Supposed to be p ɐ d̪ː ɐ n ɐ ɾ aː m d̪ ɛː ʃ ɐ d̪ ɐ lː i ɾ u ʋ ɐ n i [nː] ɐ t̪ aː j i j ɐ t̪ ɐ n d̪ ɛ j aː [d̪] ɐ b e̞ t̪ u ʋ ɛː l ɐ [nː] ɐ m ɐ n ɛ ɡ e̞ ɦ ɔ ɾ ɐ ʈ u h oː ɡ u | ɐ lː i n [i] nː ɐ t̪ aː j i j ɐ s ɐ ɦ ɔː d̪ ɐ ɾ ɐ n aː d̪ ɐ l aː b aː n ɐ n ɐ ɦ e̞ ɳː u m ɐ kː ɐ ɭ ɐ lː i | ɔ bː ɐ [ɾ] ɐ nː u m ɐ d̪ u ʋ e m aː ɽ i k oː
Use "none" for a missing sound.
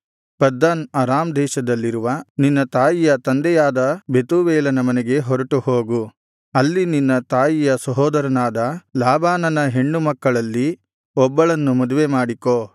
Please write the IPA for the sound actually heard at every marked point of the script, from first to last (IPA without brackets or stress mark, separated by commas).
nː, d̪, n, i, ɭ